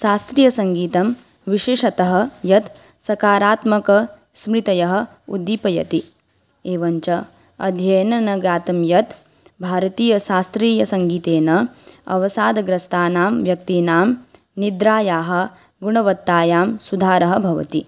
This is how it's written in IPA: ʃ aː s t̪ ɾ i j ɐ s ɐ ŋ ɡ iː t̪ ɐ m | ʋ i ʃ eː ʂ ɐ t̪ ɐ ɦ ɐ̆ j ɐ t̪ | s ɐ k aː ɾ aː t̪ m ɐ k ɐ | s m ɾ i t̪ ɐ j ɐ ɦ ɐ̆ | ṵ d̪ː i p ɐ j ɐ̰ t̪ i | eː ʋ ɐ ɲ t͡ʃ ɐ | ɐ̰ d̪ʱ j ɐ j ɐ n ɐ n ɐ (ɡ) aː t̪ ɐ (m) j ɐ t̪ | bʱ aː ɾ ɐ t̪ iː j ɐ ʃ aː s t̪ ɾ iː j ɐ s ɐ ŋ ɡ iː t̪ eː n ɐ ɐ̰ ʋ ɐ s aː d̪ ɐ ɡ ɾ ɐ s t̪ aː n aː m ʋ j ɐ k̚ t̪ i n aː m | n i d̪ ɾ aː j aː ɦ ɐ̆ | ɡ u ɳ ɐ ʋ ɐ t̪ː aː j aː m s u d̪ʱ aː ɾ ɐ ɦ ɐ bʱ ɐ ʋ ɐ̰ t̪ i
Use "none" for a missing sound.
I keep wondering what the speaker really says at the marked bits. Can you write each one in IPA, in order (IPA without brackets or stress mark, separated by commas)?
ɡ, m